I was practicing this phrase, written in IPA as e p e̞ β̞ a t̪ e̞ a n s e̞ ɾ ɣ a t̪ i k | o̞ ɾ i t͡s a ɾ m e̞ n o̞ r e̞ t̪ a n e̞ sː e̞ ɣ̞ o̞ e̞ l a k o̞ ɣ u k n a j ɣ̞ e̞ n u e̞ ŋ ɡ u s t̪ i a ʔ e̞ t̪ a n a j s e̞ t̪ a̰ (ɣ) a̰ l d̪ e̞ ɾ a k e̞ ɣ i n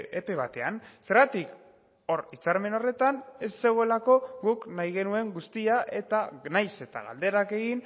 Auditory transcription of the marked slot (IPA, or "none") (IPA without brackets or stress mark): ɣ